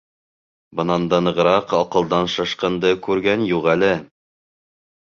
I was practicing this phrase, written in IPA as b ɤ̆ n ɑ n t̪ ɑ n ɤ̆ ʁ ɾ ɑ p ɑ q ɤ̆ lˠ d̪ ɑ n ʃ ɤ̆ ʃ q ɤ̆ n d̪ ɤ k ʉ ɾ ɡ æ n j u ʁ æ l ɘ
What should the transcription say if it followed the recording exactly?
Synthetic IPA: b ɤ̆ n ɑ n d̪ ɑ n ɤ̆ ʁ ɾ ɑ q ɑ q ɤ̆ lˠ d̪ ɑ n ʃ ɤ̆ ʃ q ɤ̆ n d̪ ɤ k ʉ ɾ ɡ æ n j u ʁ æ l ɘ